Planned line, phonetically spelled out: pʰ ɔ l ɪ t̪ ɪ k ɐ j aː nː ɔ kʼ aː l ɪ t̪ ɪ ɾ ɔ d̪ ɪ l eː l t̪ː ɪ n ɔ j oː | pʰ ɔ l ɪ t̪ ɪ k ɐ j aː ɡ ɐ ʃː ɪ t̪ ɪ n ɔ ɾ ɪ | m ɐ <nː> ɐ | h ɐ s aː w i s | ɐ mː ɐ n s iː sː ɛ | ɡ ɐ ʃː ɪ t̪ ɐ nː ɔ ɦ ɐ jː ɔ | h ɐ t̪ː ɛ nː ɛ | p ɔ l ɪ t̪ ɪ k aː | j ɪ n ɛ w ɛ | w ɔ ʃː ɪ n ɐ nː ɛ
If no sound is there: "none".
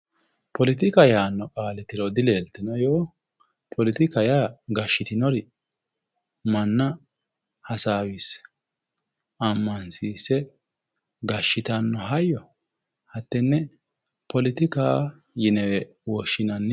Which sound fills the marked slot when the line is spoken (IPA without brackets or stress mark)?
nː